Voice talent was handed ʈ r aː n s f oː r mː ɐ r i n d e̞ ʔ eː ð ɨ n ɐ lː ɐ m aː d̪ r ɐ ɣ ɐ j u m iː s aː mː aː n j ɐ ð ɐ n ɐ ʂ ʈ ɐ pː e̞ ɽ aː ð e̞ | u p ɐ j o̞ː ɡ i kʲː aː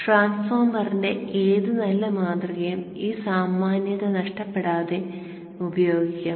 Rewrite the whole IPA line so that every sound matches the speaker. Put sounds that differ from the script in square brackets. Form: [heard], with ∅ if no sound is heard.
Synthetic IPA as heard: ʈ r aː n s f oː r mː ɐ r i n d e̞ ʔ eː ð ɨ n ɐ lː ɐ m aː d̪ r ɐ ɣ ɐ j u m iː s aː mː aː n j ɐ ð ɐ n ɐ ʂ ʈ ɐ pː e̞ ɽ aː ð e̞ | u [b] ɐ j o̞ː ɡ i kʲː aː